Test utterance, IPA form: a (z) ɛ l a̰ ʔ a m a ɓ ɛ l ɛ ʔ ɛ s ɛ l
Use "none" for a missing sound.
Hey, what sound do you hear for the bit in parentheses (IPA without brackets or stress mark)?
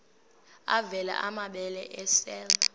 v